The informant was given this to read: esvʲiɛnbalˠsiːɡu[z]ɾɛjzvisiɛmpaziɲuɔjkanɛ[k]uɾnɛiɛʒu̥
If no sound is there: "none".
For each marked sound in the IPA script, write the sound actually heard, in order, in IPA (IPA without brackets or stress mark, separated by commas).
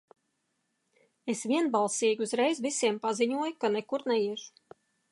z, k